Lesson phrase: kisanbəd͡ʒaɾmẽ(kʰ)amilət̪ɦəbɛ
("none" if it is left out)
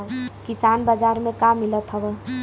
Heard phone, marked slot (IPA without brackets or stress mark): k